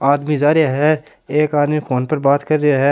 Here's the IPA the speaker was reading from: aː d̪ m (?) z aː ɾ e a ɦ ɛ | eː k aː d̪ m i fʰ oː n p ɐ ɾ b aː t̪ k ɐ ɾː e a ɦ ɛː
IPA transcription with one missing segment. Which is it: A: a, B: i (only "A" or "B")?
B